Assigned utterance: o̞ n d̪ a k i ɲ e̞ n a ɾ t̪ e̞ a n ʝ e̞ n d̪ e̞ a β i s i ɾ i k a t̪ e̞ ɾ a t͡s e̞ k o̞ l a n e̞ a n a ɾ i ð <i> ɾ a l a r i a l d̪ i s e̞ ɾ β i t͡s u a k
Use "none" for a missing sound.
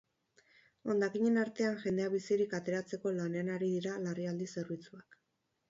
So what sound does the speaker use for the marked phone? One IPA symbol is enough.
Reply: i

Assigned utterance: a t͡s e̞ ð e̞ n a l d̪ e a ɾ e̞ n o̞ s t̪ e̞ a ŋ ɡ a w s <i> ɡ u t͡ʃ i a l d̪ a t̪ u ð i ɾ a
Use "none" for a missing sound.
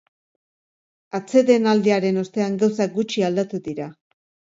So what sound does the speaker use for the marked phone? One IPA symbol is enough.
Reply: a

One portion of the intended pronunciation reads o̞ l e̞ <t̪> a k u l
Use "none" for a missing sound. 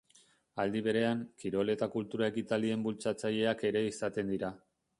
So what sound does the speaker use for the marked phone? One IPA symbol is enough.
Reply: t̪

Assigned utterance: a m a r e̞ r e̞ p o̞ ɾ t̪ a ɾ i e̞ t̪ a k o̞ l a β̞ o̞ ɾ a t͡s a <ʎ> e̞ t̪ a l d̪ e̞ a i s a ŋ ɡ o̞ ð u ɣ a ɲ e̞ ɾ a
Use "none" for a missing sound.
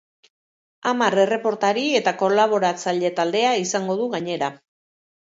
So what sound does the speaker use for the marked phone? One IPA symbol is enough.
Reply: ʎ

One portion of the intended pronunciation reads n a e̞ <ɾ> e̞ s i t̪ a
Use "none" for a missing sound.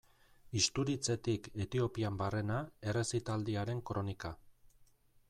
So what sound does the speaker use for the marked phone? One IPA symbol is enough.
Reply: r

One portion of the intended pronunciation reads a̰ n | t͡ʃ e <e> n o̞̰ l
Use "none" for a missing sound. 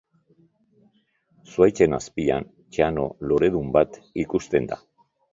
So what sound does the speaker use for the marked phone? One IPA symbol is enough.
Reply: a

